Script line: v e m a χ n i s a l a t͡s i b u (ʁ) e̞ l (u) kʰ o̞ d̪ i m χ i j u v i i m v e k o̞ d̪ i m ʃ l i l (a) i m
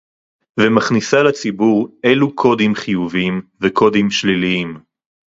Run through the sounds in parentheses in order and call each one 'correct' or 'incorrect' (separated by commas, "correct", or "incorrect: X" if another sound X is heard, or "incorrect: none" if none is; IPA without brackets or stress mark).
correct, correct, incorrect: i